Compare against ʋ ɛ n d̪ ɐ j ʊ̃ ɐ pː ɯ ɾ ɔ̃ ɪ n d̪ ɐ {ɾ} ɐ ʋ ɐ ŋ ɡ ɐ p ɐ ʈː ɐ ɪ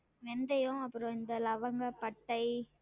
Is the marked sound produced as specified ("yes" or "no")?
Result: no